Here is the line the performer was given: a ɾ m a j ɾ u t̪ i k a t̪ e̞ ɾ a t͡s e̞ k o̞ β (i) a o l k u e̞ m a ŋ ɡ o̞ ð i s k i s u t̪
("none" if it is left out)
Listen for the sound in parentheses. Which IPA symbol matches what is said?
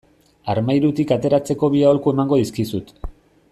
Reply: i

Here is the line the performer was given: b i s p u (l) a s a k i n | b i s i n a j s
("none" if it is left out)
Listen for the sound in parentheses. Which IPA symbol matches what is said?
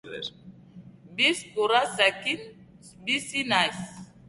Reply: ɾ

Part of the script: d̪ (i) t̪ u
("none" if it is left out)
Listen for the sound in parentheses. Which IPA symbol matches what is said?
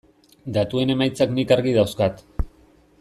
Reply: a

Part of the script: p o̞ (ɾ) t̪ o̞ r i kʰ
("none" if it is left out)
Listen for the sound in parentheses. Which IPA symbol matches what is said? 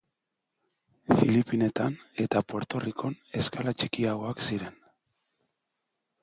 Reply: ɾ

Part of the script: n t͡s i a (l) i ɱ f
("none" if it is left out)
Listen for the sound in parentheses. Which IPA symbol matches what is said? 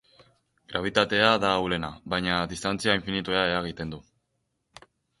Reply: none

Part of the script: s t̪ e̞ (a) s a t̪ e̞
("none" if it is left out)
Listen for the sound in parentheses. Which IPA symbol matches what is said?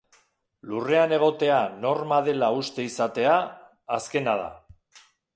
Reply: i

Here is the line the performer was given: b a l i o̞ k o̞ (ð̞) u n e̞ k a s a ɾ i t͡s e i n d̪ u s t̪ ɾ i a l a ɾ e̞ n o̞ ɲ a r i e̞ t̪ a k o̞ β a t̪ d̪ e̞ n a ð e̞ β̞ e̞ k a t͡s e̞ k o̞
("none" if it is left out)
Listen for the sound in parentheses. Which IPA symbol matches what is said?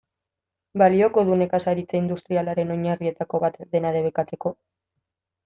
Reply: ð̞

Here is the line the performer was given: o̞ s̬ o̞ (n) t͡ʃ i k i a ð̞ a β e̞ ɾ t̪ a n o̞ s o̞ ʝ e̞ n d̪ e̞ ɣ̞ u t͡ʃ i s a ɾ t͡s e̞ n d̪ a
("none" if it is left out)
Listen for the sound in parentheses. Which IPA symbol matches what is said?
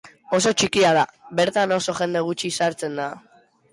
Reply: none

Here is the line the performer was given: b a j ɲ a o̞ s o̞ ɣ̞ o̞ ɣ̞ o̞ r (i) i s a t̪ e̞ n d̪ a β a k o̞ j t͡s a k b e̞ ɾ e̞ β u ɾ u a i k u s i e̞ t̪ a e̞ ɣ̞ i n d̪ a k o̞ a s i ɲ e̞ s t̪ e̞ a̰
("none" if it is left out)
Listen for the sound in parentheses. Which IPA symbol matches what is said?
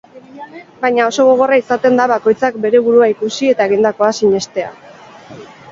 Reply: a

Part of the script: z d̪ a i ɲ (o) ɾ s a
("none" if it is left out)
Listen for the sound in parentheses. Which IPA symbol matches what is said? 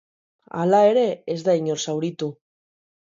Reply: o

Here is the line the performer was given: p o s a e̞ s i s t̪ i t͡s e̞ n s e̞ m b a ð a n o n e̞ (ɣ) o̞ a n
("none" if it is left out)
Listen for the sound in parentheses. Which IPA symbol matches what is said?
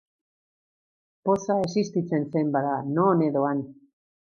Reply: ð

